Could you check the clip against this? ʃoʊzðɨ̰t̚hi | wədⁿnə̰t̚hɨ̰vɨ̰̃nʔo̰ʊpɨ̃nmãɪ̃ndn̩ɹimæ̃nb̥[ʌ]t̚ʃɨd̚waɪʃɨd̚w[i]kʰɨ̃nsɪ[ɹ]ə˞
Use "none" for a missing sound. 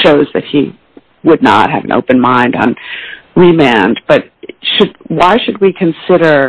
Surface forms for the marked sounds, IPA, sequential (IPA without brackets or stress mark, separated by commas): ʌ, i, ɾ